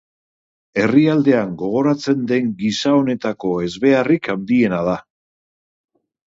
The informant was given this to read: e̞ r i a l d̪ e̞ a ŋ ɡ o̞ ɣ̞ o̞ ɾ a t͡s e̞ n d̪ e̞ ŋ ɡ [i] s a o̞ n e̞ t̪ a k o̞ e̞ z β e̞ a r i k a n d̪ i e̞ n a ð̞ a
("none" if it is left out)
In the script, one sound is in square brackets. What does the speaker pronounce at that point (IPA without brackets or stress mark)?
i